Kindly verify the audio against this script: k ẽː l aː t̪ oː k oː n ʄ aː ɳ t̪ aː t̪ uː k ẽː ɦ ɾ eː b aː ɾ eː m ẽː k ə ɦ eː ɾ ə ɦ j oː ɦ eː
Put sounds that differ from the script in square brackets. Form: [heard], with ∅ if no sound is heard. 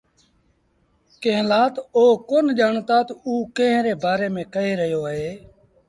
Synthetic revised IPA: k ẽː l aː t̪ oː k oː n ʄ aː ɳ t̪ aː t̪ uː k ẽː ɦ ɾ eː b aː ɾ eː m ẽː k ə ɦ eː ɾ ə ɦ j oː ɦ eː